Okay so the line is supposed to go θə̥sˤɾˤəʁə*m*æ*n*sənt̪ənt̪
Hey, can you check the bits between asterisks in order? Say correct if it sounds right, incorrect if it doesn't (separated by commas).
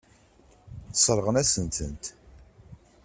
incorrect, incorrect